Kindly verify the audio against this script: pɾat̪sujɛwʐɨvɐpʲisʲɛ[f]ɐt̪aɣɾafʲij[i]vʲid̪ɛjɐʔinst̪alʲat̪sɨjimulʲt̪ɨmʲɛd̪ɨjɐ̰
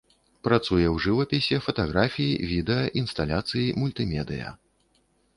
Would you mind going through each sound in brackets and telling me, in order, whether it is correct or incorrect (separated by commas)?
correct, correct